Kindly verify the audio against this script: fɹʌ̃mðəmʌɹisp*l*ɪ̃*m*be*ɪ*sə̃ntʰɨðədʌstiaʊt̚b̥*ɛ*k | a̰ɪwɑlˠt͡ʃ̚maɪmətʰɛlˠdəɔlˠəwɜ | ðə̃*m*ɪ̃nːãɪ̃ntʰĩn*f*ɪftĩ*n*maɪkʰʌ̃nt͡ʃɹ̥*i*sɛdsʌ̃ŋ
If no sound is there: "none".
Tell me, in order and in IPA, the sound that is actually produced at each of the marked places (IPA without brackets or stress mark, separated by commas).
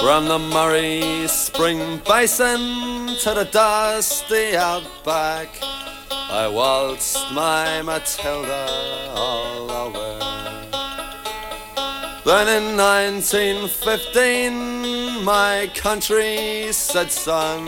ɹ, ŋ, ɪ, æ, n, f, n, i